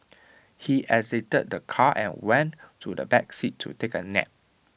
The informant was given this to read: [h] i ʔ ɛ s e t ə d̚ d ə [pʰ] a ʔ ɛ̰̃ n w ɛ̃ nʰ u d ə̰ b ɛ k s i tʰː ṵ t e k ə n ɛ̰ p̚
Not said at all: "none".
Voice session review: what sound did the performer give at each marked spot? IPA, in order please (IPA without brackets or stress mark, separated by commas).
h, kʰ